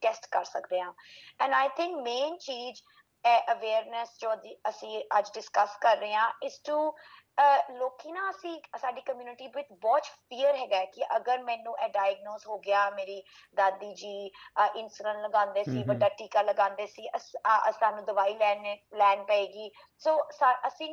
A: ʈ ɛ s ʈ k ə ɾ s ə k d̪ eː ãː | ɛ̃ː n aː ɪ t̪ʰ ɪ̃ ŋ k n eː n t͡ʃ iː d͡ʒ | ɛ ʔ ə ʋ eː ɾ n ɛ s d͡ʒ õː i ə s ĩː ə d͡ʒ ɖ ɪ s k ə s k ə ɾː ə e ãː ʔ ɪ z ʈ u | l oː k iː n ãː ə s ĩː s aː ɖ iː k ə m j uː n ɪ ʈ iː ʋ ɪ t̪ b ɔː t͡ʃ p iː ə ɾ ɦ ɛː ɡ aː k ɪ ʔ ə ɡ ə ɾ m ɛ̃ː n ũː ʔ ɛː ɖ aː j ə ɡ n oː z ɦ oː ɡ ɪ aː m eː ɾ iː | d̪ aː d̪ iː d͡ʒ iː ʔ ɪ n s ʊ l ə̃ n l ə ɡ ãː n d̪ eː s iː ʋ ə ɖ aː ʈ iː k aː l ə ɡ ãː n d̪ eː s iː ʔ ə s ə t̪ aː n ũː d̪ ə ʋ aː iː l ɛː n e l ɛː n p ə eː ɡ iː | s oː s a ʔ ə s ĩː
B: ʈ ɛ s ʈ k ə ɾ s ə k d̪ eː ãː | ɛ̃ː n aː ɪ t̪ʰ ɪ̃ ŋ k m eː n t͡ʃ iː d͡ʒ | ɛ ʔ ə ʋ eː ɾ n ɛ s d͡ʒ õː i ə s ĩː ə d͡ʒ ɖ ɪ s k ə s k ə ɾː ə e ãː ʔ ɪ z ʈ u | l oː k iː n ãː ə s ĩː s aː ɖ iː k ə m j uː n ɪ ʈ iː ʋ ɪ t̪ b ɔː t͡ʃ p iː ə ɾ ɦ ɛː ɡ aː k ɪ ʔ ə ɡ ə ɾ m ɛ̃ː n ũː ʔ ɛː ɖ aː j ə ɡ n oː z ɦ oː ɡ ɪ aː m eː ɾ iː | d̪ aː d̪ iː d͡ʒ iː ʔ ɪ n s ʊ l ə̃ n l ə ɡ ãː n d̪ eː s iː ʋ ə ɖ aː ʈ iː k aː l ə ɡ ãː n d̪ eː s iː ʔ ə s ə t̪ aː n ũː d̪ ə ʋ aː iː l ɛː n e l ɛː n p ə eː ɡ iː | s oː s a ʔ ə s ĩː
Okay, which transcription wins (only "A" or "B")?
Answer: B